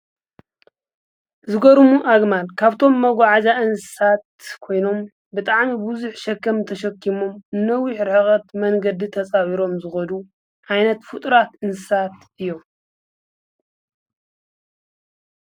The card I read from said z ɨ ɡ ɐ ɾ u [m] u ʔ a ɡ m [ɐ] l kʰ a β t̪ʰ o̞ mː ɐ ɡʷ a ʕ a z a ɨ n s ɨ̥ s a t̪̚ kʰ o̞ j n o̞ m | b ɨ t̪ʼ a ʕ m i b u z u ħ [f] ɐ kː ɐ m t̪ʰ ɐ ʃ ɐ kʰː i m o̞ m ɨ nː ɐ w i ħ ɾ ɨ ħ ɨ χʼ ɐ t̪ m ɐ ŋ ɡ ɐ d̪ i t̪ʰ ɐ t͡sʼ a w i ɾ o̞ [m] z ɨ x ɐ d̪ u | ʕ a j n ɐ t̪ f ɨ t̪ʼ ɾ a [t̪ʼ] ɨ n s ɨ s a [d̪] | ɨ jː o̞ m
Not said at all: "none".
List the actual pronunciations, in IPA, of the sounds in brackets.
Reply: m, a, ʃ, m, t̪, t̪

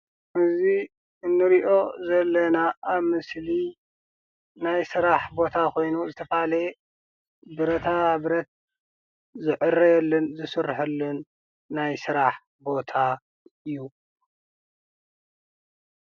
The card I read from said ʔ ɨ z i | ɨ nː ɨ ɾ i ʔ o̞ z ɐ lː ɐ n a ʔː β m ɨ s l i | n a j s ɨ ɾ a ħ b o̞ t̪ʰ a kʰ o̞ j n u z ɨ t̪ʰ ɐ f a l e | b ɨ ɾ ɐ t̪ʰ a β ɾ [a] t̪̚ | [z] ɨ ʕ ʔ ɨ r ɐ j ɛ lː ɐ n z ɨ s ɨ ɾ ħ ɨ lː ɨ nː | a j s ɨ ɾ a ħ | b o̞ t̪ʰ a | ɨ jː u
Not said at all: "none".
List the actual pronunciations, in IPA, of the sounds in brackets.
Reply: ɐ, z

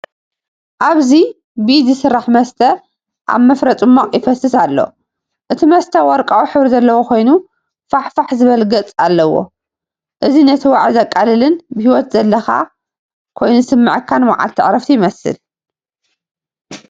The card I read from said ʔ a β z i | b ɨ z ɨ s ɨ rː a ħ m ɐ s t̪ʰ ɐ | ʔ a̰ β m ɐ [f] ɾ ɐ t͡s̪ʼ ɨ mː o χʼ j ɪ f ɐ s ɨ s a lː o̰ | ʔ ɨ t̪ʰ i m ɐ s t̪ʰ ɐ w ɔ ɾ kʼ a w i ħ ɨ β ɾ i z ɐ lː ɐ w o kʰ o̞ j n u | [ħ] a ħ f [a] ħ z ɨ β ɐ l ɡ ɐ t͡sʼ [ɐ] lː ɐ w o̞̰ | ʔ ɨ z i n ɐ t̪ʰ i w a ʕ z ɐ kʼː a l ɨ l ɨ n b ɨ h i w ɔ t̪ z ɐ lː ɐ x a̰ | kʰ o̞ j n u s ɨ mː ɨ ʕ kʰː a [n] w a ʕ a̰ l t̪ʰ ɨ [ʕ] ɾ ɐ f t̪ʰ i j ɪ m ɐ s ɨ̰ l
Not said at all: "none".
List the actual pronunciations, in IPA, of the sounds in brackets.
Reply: f, f, a, a, n, ʕ

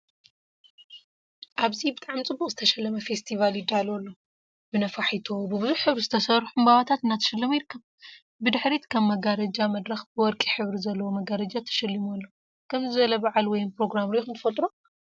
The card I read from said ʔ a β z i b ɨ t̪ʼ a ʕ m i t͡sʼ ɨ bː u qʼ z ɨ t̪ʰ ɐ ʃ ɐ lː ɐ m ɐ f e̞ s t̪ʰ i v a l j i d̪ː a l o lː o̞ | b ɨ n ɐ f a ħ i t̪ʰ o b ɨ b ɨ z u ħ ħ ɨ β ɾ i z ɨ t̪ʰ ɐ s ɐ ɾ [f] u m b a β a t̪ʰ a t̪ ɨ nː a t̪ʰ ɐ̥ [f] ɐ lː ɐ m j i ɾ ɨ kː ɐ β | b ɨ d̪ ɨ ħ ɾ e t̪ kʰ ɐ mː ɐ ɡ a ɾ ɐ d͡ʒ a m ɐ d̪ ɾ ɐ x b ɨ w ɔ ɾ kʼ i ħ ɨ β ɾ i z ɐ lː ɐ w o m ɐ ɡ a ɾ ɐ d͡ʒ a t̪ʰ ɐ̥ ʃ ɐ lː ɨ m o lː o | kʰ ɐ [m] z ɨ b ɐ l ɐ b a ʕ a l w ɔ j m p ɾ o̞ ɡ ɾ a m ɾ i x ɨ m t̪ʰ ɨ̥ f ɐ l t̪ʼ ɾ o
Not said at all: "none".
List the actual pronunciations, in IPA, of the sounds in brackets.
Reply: ħ, ʃ, m

